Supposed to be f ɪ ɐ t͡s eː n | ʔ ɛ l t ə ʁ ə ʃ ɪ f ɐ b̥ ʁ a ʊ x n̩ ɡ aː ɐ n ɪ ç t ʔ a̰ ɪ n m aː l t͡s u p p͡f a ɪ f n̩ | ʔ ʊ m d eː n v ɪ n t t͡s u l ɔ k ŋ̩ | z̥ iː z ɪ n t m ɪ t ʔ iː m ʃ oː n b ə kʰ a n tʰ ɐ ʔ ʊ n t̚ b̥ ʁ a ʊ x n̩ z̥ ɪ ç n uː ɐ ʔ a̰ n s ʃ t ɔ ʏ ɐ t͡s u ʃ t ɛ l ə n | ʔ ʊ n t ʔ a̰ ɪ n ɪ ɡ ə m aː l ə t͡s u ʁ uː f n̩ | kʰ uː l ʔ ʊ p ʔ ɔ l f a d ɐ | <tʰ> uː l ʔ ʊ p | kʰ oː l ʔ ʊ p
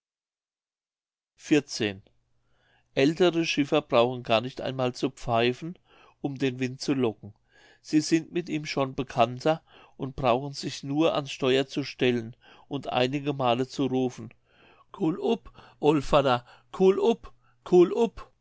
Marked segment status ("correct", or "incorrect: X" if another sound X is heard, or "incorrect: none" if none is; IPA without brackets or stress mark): incorrect: kʰ